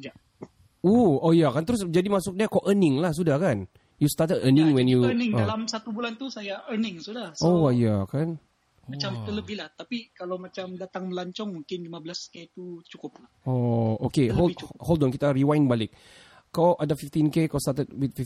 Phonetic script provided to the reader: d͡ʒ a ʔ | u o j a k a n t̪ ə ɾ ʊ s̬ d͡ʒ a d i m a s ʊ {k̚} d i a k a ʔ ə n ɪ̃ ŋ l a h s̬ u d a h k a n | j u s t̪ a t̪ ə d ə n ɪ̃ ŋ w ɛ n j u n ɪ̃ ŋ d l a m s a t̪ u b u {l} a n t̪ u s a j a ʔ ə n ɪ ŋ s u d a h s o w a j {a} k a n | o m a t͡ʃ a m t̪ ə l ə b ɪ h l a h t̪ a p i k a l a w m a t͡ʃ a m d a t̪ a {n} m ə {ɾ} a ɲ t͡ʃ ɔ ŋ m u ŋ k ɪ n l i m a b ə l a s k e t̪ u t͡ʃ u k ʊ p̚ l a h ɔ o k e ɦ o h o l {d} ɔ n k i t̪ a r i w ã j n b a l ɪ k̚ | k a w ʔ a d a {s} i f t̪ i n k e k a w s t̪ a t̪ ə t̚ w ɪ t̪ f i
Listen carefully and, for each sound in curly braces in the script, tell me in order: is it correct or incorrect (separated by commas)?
correct, correct, correct, incorrect, incorrect, correct, incorrect